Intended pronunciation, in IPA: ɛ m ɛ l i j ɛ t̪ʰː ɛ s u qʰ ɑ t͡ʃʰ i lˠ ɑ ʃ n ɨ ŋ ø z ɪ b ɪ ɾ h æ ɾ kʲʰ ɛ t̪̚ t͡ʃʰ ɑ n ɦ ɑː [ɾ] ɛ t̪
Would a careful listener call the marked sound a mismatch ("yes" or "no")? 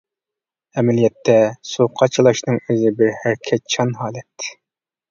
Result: yes